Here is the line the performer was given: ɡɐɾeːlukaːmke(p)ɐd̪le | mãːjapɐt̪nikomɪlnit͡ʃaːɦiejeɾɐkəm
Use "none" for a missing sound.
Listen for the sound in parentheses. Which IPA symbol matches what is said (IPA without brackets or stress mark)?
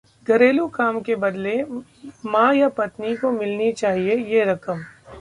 b